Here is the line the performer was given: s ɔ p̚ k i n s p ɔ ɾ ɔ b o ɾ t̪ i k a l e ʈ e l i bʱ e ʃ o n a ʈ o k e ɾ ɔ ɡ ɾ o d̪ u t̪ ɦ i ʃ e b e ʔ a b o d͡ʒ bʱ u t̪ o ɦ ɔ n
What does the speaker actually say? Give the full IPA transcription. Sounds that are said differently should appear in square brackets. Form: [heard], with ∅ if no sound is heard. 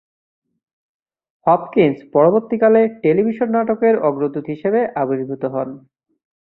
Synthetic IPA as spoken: [h] ɔ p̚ k i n s p ɔ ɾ [o] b o ɾ t̪ i k a l e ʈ e l i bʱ [i] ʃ o [nː] a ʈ o k e ɾ ɔ ɡ ɾ o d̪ u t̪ ɦ i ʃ e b e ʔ a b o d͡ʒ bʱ u t̪ o ɦ ɔ n